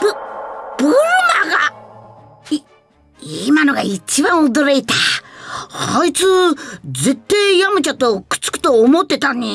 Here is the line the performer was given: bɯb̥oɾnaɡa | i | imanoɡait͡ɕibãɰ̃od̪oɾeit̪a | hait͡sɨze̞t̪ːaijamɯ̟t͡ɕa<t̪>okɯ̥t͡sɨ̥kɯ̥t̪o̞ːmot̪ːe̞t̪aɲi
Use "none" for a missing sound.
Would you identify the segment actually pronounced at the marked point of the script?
t̪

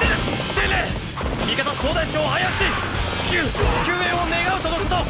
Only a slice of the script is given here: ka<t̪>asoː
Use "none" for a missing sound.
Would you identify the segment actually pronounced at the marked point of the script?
t̪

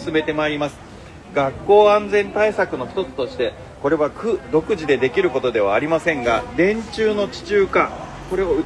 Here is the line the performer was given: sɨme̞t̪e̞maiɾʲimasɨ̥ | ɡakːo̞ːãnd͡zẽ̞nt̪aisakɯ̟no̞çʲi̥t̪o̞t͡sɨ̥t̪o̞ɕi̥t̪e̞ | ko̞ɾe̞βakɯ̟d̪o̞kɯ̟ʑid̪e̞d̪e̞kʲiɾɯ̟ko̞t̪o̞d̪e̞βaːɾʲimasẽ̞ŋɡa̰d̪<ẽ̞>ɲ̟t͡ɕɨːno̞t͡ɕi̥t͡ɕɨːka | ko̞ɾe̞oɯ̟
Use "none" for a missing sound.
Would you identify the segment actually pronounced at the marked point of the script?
ẽ̞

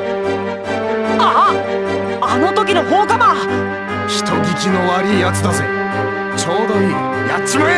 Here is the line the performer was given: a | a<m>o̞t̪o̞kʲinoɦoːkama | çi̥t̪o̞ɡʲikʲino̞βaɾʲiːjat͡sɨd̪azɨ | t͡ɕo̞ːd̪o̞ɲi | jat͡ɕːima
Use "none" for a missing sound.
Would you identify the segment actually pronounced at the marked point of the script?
n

